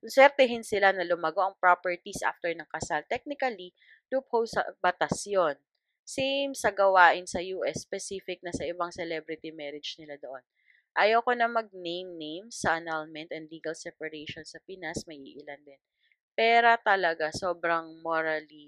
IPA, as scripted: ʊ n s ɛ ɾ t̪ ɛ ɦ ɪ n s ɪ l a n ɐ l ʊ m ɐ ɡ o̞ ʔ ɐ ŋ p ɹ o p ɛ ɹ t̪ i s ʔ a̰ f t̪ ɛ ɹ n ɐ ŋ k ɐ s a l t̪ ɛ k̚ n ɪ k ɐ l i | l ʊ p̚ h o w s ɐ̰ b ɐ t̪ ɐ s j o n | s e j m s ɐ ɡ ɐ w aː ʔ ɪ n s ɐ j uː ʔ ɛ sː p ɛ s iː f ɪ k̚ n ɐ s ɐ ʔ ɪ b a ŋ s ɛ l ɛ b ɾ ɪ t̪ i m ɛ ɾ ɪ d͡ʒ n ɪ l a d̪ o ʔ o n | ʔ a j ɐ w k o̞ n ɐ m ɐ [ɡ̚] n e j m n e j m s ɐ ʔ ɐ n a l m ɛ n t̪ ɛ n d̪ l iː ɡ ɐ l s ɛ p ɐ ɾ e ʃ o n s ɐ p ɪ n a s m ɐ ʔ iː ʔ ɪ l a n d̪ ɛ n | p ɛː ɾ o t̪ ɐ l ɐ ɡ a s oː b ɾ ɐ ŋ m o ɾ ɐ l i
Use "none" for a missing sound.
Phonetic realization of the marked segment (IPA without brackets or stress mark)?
ɡ̚